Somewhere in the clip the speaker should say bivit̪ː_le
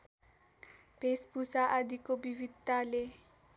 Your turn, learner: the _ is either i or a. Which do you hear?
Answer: a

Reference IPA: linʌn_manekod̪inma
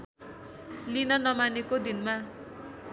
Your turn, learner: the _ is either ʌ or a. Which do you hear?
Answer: ʌ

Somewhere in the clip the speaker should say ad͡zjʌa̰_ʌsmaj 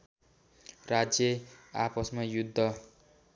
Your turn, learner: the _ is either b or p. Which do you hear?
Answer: p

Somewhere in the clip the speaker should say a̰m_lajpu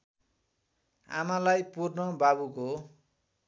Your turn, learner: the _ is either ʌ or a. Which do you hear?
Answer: a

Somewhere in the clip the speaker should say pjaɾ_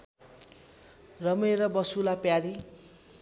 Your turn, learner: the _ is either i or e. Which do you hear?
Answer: i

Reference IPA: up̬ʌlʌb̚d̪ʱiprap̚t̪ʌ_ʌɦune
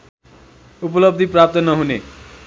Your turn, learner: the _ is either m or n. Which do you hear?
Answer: n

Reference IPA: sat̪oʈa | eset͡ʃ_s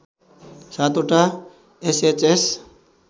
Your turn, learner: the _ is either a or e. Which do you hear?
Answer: e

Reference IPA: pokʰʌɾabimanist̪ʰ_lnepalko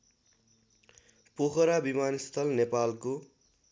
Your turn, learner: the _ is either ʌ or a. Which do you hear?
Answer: ʌ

